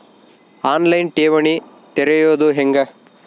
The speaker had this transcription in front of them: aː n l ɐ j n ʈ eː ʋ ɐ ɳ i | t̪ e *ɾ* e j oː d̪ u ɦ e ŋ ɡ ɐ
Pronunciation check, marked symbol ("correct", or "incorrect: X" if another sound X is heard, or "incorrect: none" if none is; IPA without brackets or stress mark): correct